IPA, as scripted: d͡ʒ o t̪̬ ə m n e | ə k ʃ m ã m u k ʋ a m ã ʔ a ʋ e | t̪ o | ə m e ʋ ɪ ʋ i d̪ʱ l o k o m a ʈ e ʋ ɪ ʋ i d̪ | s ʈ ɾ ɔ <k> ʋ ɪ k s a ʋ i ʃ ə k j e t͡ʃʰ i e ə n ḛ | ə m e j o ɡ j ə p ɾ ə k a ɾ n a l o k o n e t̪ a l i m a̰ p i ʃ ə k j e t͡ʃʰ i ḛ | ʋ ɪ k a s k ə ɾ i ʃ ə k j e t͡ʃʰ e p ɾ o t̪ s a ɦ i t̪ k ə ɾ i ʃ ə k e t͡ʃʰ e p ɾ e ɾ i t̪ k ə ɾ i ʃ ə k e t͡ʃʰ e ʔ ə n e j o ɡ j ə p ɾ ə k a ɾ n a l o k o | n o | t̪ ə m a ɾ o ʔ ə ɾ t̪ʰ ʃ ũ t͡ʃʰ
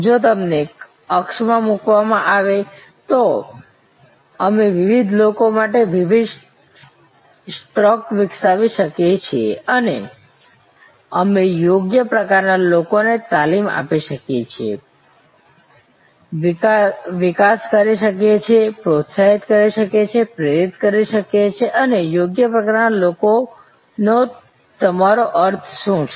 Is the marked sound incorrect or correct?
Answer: correct